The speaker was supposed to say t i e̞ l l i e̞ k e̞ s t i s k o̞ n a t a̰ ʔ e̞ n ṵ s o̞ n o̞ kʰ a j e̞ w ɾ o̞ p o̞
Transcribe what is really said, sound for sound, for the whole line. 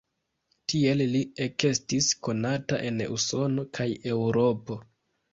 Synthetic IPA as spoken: t i e̞ l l i e̞ k e̞ s t i s k o̞ n a t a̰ ʔ e̞ n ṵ s o̞ n o̞ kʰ a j e̞ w ɾ o̞ p o̞